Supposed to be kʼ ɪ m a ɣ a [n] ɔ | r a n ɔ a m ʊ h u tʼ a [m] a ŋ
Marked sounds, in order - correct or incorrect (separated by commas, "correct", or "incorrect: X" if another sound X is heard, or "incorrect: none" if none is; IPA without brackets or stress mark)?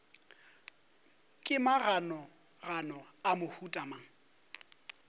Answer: correct, correct